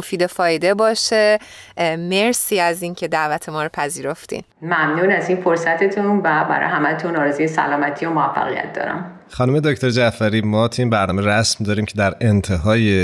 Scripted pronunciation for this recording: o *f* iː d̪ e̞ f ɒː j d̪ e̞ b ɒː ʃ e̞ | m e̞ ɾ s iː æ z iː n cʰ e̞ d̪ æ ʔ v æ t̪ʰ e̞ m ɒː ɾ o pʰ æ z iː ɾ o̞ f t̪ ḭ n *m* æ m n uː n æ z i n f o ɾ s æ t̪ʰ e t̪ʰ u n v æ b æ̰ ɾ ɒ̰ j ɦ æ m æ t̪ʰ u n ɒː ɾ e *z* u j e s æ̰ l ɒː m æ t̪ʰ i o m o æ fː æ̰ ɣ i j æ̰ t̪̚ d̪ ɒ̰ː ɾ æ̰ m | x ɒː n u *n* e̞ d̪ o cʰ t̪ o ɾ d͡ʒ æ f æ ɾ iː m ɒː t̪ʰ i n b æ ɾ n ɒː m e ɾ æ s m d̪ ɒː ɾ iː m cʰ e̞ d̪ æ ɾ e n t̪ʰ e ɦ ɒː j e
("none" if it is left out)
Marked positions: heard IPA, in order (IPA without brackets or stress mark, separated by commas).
f, m, z, m